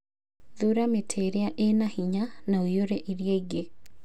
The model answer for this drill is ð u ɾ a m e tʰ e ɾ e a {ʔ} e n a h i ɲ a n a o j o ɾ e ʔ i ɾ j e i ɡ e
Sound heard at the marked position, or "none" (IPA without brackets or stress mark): ʔ